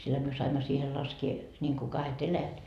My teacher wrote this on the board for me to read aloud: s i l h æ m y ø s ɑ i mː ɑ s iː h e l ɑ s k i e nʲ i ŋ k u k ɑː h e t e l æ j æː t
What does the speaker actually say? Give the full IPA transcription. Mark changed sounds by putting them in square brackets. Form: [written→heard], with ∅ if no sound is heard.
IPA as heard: s i l h æ m y ø s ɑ i mː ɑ s iː h e l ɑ s k i e nʲ i ŋ k u k [ɑː→ɑ] h e t e l æ j [æː→æ] t